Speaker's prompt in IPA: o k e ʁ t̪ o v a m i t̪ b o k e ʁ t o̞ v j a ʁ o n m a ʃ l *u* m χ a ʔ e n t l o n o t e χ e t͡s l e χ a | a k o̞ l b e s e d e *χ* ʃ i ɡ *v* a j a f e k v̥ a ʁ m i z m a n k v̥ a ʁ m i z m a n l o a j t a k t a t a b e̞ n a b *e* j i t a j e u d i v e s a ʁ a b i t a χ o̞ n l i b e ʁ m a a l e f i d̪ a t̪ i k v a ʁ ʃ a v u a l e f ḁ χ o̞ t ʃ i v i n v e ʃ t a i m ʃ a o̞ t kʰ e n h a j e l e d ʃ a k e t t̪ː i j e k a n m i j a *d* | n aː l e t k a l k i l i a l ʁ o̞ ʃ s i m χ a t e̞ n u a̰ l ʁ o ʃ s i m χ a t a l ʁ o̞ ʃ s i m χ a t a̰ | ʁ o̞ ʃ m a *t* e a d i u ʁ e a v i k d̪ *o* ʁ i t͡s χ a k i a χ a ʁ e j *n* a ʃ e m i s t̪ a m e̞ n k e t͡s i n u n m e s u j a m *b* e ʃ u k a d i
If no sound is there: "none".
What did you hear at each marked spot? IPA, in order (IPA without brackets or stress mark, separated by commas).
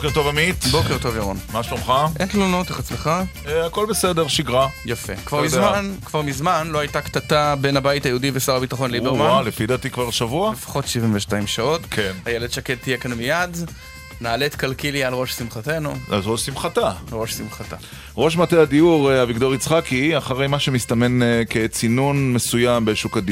o, ʁ, ʁ, a, d, t, o, m, b